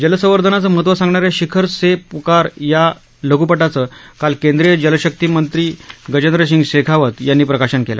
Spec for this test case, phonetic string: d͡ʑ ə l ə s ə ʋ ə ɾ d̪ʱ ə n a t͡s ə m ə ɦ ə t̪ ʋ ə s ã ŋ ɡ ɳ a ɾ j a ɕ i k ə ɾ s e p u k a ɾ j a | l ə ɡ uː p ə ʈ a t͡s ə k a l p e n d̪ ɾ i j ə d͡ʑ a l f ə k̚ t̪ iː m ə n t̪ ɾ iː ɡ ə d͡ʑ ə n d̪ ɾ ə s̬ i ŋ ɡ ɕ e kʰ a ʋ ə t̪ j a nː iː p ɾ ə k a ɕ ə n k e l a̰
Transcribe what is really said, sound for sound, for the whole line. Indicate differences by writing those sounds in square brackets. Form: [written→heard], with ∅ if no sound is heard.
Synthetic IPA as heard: d͡ʑ ə l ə s ə ʋ ə ɾ d̪ʱ ə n a t͡s ə m ə ɦ ə t̪ ʋ ə s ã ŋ ɡ ɳ a ɾ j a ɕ i [k→kʰ] ə ɾ s e p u k a ɾ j a | l ə ɡ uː p ə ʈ a t͡s ə k a l [p→k] e n d̪ ɾ i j ə d͡ʑ [a→ə] l [f→ɕ] ə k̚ t̪ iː m ə n t̪ ɾ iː ɡ ə d͡ʑ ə n d̪ ɾ ə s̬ i ŋ ɡ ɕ e kʰ a ʋ ə t̪ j a nː iː p ɾ ə k a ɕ ə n k e l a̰

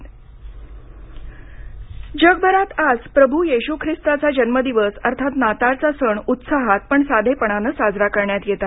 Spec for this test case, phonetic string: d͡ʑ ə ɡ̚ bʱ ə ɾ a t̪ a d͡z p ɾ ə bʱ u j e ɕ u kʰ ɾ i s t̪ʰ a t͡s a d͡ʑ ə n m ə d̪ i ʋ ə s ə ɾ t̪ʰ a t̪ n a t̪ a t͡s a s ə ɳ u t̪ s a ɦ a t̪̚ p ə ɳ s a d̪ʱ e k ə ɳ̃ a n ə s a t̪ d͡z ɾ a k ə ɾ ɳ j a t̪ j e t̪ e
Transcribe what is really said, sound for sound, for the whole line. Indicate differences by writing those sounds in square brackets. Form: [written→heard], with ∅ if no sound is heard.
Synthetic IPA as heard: d͡ʑ ə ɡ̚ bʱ ə ɾ a t̪ a d͡z p ɾ ə bʱ u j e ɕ u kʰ ɾ i s [t̪ʰ→t̪] a t͡s a d͡ʑ ə n m ə d̪ i ʋ ə s ə ɾ t̪ʰ a t̪ n a t̪ a t͡s a s ə ɳ u t̪ s a ɦ a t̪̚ p ə ɳ s a d̪ʱ e [k→p] ə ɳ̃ a n ə s a [t̪→∅] d͡z ɾ a k ə ɾ ɳ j a t̪ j e t̪ [e→a]

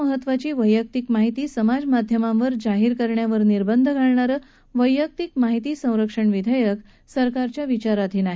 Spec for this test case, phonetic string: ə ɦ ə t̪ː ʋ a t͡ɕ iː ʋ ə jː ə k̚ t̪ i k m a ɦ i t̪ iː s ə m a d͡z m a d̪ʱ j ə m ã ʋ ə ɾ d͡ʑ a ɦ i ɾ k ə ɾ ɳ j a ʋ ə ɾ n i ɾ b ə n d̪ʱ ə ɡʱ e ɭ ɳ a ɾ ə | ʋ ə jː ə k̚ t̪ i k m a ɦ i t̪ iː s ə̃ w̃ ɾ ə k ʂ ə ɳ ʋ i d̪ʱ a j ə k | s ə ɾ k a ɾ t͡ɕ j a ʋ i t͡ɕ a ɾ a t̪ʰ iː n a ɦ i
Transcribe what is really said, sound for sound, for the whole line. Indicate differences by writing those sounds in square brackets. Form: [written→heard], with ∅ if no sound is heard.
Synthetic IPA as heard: ə ɦ ə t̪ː ʋ a t͡ɕ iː ʋ ə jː ə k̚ t̪ i k m a ɦ i t̪ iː s ə m a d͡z m a d̪ʱ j ə m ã ʋ ə ɾ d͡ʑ a ɦ i ɾ k ə ɾ ɳ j a ʋ ə ɾ n i ɾ b ə n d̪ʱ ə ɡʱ [e→a] ɭ ɳ a ɾ ə | ʋ ə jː ə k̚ t̪ i k m a ɦ i t̪ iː s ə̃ w̃ ɾ ə k ʂ ə ɳ ʋ i d̪ʱ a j ə k | s ə ɾ k a ɾ t͡ɕ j a ʋ i t͡ɕ a ɾ a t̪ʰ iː n a ɦ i

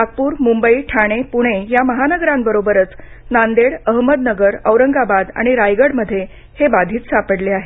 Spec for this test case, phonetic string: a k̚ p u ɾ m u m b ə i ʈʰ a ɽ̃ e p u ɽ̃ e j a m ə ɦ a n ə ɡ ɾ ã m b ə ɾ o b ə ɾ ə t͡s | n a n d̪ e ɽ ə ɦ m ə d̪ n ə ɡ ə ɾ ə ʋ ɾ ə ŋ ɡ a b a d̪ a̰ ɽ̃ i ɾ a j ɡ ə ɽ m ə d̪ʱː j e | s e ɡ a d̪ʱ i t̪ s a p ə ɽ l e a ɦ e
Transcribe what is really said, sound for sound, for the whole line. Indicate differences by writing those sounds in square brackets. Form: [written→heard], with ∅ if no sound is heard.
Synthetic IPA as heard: a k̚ p [u→uː] ɾ m u m b ə i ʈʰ a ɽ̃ e p u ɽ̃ e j a m ə ɦ a n ə ɡ ɾ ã m b ə ɾ o b ə ɾ ə t͡s | n a n d̪ e ɽ ə ɦ m ə d̪ n ə ɡ ə ɾ ə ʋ ɾ ə ŋ ɡ a b a d̪ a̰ ɽ̃ i ɾ a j ɡ ə ɽ m ə d̪ʱː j e | [s→h] e [ɡ→b] a d̪ʱ [i→iː] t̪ s a p ə ɽ l e a ɦ e

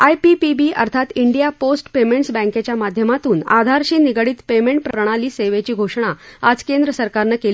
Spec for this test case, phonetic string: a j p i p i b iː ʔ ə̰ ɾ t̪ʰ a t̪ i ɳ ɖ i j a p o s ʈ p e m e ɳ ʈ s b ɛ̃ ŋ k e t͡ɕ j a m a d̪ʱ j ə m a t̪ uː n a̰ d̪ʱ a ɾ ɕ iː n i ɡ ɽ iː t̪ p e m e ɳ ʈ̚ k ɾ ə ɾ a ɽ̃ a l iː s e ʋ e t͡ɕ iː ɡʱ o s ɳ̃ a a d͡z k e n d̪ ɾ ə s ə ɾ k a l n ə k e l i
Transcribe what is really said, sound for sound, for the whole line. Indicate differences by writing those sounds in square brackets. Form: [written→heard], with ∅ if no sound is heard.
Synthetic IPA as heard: a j p i p i b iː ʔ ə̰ ɾ t̪ʰ a t̪ i ɳ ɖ i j a p o s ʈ p e m e ɳ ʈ s b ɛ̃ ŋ k e t͡ɕ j a m a d̪ʱ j ə m a t̪ uː n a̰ d̪ʱ a ɾ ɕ iː n i ɡ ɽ iː t̪ p e m e ɳ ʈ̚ [k→p] ɾ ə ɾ [a→ə] ɽ̃ a l iː s e ʋ e t͡ɕ iː ɡʱ o [s→ʂ] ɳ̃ a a d͡z k e n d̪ ɾ ə s ə ɾ k a [l→ɾ] n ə k e l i

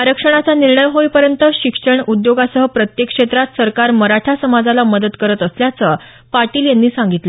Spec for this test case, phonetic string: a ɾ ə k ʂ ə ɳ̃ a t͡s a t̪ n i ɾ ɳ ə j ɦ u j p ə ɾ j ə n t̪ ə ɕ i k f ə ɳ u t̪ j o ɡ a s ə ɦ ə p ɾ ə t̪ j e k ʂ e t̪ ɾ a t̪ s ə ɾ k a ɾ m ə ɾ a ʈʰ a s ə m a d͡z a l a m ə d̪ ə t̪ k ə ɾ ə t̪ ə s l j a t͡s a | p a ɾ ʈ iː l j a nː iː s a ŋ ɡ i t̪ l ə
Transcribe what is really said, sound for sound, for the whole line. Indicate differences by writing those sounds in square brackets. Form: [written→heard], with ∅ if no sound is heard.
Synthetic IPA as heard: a ɾ ə k ʂ ə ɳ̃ a t͡s a [t̪→∅] n i ɾ ɳ ə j ɦ [u→o] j p ə ɾ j ə n t̪ ə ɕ i k [f→ʂ] ə ɳ u [t̪→d̪] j o ɡ a s ə ɦ ə p ɾ ə t̪ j e k ʂ e t̪ ɾ a t̪ s ə ɾ k a ɾ m ə ɾ a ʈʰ a s ə m a d͡z a l a m ə d̪ ə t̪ k ə ɾ ə t̪ ə s l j a t͡s [a→ə] | p a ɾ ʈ iː l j a nː iː s a ŋ ɡ i t̪ l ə

